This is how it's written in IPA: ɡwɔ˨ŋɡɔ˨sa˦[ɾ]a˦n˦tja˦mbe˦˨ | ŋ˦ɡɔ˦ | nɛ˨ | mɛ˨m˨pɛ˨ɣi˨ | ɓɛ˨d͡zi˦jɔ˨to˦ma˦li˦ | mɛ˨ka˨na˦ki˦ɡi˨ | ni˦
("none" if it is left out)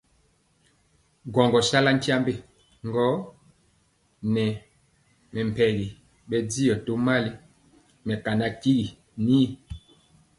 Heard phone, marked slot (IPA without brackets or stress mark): l